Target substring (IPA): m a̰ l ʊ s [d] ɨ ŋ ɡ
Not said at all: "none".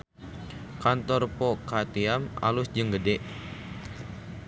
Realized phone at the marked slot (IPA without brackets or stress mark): d͡ʒ